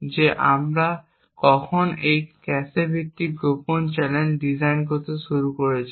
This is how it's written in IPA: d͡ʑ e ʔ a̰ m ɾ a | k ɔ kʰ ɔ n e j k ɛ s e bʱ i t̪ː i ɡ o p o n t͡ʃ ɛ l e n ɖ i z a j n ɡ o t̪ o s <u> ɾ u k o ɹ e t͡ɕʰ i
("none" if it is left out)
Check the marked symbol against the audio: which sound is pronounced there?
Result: u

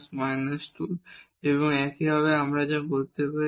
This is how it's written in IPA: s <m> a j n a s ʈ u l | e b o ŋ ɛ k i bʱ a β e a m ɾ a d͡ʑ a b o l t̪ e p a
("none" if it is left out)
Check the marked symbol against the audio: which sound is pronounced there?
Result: m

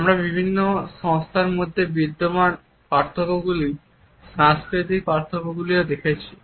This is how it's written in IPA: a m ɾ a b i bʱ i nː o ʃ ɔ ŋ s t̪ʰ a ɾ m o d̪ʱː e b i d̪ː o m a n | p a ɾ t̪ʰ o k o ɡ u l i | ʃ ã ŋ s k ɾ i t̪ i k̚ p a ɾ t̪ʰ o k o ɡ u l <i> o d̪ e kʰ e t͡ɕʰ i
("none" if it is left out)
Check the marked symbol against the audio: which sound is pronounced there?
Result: i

